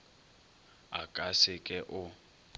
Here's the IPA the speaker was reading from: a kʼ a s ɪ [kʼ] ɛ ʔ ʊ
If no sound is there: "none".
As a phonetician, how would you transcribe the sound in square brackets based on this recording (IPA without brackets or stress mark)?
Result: kʼ